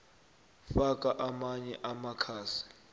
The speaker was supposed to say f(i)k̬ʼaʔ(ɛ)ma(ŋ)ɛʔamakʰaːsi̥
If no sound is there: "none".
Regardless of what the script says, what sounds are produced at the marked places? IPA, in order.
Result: a, a, ɲ

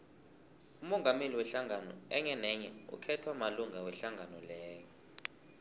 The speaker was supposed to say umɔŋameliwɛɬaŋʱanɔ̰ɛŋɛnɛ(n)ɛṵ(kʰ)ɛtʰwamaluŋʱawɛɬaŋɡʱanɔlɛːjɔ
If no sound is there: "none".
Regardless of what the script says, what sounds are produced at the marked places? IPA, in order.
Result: ɲ, kʰ

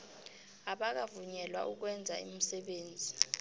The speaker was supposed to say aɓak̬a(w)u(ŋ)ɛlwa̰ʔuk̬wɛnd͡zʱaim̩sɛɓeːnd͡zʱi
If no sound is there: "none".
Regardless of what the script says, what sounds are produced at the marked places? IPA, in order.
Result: v, ɲ

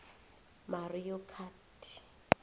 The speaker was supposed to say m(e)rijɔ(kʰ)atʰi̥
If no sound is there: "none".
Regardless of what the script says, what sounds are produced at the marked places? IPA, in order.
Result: a, kʰ

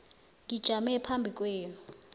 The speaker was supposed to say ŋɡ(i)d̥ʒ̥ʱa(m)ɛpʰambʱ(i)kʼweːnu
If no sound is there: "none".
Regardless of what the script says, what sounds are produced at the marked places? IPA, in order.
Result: i, m, i

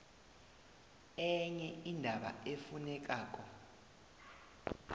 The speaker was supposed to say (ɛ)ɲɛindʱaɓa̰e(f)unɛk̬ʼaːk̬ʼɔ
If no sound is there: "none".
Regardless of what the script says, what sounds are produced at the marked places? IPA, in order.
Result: ɛ, f

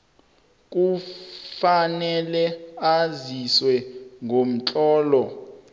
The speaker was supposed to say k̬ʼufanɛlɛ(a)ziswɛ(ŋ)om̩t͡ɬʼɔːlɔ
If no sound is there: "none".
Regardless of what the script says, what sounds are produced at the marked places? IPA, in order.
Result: a, ŋ

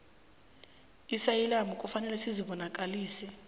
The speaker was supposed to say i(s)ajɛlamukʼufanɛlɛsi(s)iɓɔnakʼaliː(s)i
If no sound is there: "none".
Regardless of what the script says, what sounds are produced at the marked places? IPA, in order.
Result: s, z, s

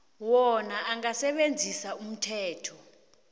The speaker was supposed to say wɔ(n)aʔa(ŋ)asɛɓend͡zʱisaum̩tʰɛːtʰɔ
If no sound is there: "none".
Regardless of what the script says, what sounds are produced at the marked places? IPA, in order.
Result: n, ŋ

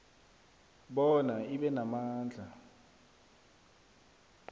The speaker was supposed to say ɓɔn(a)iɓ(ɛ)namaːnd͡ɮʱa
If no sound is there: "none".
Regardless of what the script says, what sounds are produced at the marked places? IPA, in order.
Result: a, ɛ

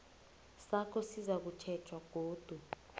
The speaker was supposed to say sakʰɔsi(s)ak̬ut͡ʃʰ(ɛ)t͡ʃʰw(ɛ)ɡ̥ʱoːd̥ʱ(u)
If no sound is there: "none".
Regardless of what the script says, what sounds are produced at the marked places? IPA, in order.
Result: z, ɛ, a, u

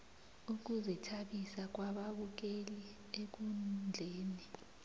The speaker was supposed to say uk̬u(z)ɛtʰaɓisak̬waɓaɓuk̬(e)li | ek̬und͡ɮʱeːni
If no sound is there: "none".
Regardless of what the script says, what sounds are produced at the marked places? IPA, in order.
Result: z, e

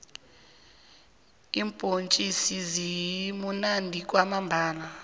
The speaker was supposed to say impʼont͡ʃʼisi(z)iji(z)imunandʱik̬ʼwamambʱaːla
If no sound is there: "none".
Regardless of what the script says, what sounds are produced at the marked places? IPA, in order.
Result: z, none

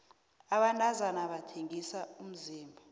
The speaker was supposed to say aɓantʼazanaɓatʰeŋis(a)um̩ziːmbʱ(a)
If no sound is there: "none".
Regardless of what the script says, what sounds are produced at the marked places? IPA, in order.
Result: a, a

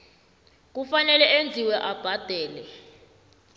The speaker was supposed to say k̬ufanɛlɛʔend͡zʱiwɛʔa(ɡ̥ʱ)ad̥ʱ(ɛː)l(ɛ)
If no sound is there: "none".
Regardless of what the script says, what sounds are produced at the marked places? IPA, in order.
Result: b̥ʱ, ɛː, ɛ

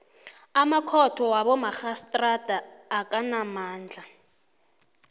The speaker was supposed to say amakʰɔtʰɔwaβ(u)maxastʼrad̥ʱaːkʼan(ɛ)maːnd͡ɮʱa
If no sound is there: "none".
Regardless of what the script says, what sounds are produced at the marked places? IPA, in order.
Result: ɔ, a

